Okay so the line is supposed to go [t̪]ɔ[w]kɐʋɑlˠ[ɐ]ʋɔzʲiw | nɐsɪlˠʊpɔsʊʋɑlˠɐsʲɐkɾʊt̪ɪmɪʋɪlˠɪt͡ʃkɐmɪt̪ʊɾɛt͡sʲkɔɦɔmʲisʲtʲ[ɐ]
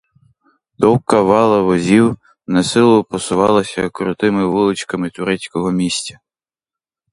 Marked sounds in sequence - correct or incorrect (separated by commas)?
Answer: incorrect, correct, correct, correct